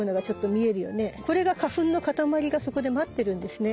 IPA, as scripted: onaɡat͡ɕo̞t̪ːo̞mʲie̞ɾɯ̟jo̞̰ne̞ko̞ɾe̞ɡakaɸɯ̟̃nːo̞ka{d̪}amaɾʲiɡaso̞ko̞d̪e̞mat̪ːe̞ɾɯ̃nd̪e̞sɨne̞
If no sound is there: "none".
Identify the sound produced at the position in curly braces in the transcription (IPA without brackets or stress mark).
t̪